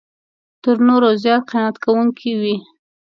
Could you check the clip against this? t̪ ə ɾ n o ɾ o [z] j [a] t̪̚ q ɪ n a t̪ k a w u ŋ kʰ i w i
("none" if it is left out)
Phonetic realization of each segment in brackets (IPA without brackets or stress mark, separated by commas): z, ɑ